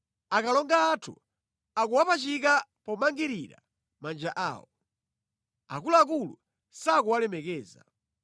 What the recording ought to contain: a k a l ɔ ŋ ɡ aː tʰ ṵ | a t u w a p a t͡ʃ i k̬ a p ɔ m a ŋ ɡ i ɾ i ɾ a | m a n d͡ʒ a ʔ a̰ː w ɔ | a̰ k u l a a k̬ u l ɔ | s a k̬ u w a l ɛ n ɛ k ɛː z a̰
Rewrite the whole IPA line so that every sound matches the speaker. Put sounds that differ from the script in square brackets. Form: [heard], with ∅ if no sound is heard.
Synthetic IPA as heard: a k a l ɔ ŋ ɡ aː tʰ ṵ | a [k] u w a p a t͡ʃ i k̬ a p ɔ m a ŋ ɡ i ɾ i ɾ a | m a n d͡ʒ a ʔ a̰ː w ɔ | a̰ k u l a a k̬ u l [u] | s a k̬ u w a l ɛ [m] ɛ k ɛː z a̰